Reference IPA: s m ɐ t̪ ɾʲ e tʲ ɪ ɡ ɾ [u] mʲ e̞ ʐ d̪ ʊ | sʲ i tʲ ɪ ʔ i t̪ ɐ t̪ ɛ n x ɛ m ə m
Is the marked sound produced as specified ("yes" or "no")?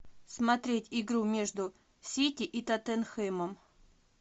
yes